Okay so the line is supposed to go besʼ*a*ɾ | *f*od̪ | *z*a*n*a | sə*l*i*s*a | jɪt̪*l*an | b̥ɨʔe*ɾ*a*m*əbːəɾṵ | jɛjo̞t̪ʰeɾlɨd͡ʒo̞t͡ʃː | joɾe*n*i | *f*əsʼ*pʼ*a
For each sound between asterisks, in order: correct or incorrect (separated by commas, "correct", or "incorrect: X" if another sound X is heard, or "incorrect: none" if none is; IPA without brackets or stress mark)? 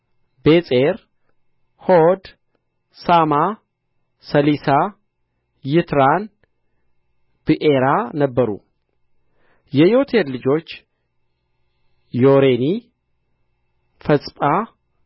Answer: incorrect: e, incorrect: h, incorrect: s, incorrect: m, correct, correct, incorrect: ɾ, correct, incorrect: n, correct, correct, correct